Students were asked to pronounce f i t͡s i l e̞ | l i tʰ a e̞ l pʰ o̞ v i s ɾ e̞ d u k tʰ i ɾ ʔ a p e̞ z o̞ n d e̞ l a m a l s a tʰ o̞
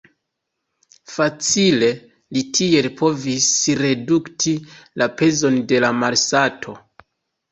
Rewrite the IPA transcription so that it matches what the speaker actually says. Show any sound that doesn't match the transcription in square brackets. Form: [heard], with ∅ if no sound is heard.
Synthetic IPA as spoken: f [a] t͡s i l e̞ | l i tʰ [i] e̞ l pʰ o̞ v i s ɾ e̞ d u k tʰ i [l] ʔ a p e̞ z o̞ n d e̞ l a m a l s a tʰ o̞